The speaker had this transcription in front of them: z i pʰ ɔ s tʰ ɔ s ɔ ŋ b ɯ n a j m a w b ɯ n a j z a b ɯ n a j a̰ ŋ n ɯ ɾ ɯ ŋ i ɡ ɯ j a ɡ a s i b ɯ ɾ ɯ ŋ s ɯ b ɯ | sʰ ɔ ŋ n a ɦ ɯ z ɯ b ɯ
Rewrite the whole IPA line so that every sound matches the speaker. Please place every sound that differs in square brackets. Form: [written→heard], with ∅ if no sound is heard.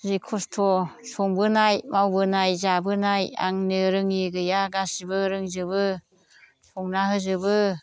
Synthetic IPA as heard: z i [pʰ→kʰ] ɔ s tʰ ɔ s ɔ ŋ b ɯ n a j m a w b ɯ n a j z a b ɯ n a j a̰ ŋ n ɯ ɾ ɯ ŋ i ɡ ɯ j a ɡ a s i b ɯ ɾ ɯ ŋ [s→z] ɯ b ɯ | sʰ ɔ ŋ n a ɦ ɯ z ɯ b ɯ